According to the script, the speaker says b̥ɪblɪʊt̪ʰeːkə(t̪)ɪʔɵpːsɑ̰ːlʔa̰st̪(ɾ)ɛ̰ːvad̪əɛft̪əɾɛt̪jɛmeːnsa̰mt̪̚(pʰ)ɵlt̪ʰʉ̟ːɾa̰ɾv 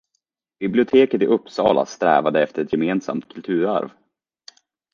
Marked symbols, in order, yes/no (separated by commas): yes, yes, no